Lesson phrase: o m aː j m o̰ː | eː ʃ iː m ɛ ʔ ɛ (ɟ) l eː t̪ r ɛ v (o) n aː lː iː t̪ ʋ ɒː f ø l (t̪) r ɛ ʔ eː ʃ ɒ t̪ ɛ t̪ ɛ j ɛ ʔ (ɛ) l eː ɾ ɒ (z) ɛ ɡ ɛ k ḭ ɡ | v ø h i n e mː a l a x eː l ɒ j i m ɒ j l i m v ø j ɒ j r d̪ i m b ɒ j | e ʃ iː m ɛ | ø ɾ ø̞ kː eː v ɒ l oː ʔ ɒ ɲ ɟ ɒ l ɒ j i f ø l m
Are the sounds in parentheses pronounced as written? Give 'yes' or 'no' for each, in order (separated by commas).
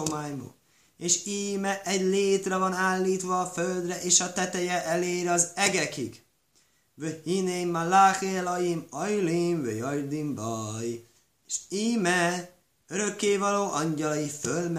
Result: yes, no, no, yes, yes